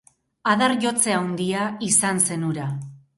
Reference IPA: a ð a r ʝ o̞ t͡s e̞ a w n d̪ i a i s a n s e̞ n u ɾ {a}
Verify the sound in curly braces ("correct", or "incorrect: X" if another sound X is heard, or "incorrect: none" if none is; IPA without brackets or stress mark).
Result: correct